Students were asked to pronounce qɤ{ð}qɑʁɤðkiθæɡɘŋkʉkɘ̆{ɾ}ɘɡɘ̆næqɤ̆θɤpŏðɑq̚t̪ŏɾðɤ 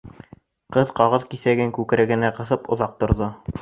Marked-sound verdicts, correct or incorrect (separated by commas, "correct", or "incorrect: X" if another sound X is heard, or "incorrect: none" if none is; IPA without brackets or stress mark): correct, correct